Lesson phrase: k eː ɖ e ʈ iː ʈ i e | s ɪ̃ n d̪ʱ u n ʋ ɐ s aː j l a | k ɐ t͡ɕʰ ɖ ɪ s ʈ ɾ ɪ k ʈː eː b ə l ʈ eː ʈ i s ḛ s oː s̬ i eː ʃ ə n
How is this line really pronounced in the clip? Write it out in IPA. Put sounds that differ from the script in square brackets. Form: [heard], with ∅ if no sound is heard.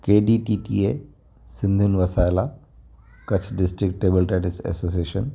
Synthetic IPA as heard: k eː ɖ [i] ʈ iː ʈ i e | s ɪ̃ n d̪ʱ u n ʋ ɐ s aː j l a | k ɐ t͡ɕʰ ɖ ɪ s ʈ ɾ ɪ k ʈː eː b ə l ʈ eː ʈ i s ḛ s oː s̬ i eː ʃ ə n